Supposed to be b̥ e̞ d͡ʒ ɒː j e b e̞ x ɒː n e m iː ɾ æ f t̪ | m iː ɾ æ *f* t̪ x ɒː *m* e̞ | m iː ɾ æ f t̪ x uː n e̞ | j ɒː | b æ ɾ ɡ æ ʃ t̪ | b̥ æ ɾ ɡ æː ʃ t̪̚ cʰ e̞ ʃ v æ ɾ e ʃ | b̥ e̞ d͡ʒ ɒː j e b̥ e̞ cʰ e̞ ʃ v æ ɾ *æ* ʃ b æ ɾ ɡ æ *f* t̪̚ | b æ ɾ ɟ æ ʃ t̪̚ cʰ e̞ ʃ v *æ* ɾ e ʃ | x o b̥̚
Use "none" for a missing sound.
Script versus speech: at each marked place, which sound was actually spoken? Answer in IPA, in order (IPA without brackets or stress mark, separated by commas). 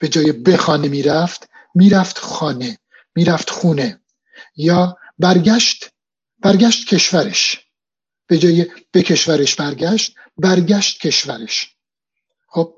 f, n, e, ʃ, æ